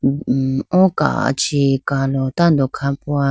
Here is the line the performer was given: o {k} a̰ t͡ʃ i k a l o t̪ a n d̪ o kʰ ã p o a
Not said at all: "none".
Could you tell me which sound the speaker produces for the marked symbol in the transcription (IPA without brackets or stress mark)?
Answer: k